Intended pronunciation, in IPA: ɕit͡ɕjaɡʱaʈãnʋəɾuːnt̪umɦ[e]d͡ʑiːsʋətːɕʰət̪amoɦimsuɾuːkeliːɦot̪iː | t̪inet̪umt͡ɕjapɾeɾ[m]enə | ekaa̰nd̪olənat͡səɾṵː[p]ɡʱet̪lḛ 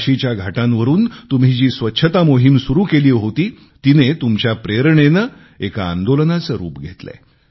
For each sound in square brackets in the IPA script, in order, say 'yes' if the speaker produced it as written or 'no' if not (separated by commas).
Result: no, no, yes